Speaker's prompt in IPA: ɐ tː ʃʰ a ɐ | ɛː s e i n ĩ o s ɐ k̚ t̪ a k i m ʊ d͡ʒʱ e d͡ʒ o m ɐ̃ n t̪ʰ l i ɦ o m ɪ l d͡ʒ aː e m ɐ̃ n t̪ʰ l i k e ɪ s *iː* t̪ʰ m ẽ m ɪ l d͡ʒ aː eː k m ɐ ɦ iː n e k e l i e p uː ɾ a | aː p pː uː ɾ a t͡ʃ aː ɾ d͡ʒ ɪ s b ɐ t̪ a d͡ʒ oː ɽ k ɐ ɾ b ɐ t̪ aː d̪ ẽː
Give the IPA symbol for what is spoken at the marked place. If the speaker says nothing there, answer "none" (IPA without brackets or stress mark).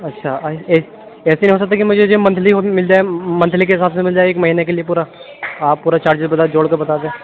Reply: aː